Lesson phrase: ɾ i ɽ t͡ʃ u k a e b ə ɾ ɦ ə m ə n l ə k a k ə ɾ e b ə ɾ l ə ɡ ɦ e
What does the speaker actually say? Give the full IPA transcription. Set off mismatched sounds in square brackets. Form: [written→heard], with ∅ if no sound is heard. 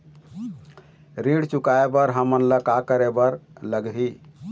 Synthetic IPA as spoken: ɾ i ɽ t͡ʃ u k a e b ə ɾ ɦ ə m ə n l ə k a k ə ɾ e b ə ɾ l ə ɡ ɦ [e→i]